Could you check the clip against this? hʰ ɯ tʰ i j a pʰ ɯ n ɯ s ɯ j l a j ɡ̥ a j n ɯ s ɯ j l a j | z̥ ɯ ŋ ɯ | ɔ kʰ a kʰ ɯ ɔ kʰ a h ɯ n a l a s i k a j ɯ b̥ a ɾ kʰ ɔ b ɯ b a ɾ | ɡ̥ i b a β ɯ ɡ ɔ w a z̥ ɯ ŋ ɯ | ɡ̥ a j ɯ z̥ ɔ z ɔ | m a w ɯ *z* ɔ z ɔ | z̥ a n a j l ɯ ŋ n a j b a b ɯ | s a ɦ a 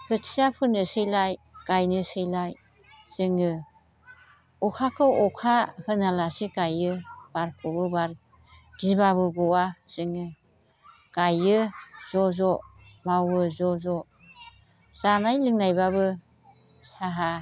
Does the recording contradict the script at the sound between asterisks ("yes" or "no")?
no